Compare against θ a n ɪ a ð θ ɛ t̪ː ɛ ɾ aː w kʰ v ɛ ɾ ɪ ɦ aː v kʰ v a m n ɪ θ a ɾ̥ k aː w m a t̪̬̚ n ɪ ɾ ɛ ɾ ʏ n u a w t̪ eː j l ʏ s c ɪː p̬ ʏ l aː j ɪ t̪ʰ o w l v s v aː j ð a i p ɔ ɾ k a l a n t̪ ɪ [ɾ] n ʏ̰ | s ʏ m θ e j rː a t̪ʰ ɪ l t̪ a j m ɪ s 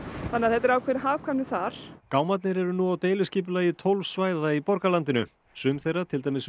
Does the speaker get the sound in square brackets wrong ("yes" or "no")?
yes